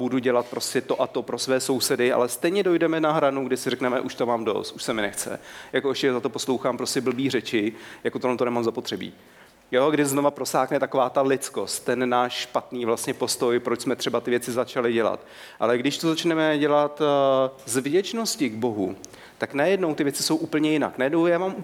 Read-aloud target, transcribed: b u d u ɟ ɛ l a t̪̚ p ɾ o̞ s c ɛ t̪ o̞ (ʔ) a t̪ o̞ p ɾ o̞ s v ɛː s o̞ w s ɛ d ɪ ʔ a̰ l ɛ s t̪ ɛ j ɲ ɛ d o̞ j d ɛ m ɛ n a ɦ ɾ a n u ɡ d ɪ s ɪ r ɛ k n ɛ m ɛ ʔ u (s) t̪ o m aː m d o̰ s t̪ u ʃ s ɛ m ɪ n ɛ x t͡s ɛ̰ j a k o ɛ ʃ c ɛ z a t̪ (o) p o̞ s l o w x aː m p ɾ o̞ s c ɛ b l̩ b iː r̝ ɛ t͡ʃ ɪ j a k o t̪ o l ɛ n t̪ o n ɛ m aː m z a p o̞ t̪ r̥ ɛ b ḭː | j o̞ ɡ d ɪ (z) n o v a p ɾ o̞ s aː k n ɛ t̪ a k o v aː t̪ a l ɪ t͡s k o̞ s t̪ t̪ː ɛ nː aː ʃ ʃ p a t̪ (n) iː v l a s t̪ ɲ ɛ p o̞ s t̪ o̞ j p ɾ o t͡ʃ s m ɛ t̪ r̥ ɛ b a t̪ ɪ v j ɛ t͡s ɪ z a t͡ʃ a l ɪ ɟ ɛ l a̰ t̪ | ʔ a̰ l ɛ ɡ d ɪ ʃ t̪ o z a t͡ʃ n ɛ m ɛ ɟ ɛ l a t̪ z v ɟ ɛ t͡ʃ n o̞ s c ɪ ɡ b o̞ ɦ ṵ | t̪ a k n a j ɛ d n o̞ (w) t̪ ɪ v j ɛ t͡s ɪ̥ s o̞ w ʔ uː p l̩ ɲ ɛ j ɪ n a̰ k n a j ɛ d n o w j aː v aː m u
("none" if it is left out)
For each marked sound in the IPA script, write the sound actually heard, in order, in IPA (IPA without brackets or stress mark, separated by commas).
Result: ʔ, ʃ, o, z, n, w